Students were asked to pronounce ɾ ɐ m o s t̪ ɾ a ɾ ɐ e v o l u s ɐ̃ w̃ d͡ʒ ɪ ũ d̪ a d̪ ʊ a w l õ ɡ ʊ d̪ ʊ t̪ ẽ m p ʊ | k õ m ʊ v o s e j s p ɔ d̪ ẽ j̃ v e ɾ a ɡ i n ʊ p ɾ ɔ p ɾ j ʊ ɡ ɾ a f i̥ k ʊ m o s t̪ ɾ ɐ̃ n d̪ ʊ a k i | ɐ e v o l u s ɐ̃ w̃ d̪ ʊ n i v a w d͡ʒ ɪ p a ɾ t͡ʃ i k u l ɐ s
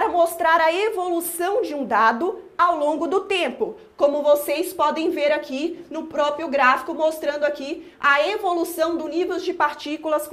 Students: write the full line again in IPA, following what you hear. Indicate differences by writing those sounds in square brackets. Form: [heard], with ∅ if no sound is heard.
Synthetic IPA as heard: ɾ ɐ m o s t̪ ɾ a ɾ ɐ e v o l u s ɐ̃ w̃ d͡ʒ ɪ ũ d̪ a d̪ ʊ a w l õ ɡ ʊ d̪ ʊ t̪ ẽ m p ʊ | k õ m ʊ v o s e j s p ɔ d̪ ẽ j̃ v e ɾ a [k] i n ʊ p ɾ ɔ p ɾ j ʊ ɡ ɾ a f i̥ k ʊ m o s t̪ ɾ ɐ̃ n d̪ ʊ a k i | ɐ e v o l u s ɐ̃ w̃ d̪ ʊ n i v [e] w d͡ʒ ɪ p a ɾ t͡ʃ i k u l ɐ s